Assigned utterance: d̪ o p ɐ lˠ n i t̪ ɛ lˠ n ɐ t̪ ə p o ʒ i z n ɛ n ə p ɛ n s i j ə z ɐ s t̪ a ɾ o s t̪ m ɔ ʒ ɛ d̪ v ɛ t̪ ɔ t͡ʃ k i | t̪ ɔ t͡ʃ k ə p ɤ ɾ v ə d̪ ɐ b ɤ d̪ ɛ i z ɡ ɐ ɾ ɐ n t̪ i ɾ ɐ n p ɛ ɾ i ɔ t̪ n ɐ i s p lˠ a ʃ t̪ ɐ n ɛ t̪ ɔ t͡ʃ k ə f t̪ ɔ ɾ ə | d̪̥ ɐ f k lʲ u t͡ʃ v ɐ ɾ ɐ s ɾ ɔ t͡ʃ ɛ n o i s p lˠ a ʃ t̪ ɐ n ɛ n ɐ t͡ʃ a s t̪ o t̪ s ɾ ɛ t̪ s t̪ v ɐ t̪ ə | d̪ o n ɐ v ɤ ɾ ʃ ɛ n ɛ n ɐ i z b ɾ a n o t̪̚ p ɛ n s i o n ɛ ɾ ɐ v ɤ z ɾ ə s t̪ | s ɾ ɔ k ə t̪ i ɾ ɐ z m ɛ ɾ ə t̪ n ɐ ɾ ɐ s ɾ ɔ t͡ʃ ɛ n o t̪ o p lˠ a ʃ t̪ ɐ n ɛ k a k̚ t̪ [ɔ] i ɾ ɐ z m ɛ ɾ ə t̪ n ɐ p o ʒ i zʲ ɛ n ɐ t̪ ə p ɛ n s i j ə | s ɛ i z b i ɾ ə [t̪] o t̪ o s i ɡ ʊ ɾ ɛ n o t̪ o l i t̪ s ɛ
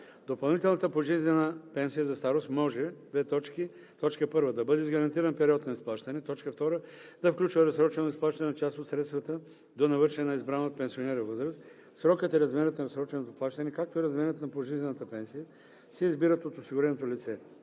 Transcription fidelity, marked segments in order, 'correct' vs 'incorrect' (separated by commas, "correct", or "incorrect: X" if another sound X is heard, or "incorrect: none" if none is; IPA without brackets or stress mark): incorrect: o, correct